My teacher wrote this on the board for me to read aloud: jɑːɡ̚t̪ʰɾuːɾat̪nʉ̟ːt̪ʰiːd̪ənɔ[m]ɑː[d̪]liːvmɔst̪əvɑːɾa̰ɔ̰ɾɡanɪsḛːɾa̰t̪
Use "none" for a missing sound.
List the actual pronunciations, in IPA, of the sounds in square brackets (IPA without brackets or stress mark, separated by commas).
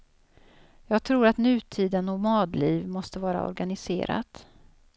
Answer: m, d̪